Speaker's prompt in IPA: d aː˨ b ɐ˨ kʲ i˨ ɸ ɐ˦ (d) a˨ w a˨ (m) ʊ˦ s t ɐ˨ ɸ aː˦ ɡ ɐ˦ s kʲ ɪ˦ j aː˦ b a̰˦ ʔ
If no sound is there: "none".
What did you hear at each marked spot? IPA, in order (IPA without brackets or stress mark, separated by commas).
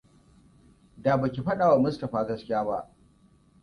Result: ɗ, m